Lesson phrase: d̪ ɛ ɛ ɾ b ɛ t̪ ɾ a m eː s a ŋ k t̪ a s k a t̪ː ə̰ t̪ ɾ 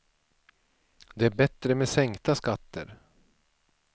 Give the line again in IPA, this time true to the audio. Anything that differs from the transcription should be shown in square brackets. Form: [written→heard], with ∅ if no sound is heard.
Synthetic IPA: d̪ ɛ [ɛ→æ] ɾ b ɛ t̪ ɾ [a→ə] m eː s [a→ɛ] ŋ k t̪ a s k a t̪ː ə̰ [t̪→∅] ɾ